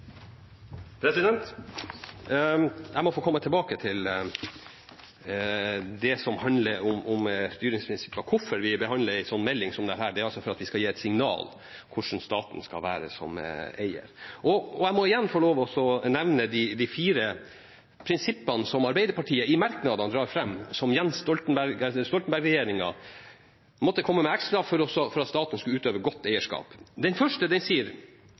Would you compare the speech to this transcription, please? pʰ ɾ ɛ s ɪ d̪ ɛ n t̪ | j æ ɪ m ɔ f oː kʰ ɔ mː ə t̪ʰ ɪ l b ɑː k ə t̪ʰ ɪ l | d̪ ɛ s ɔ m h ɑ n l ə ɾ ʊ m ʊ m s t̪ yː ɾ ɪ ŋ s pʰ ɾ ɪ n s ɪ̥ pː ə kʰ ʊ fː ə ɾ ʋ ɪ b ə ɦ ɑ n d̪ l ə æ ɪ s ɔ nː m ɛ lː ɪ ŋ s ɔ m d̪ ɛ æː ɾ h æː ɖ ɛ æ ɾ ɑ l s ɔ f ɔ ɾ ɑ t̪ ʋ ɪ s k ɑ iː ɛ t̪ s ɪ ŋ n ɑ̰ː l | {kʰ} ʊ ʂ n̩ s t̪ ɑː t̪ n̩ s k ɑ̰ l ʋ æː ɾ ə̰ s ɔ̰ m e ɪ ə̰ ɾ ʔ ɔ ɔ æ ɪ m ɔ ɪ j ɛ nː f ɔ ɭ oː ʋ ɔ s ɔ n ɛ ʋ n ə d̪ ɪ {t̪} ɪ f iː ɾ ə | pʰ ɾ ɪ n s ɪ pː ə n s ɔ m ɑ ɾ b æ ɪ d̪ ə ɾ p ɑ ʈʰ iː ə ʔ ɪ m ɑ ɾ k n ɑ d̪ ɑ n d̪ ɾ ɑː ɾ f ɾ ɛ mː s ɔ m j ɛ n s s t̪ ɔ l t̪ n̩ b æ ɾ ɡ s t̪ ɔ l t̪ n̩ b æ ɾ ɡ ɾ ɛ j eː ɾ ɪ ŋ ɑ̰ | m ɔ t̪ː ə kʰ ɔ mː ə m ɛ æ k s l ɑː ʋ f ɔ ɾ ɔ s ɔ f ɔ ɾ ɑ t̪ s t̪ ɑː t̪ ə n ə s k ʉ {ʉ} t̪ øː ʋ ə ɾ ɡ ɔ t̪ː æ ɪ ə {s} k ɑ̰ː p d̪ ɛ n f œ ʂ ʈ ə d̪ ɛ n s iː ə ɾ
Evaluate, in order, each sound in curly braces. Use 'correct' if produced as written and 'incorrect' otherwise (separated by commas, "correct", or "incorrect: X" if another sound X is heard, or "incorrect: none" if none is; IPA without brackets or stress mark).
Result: correct, incorrect: d̪, incorrect: ʉː, incorrect: ʂ